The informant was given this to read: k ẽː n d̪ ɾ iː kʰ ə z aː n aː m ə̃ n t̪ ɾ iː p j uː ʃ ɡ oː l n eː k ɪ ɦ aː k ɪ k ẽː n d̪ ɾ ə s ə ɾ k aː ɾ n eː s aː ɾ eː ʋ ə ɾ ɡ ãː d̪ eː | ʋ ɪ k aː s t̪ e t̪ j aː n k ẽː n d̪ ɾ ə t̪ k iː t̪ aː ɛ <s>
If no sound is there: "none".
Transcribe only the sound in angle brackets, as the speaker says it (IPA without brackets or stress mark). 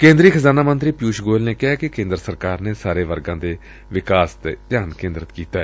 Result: none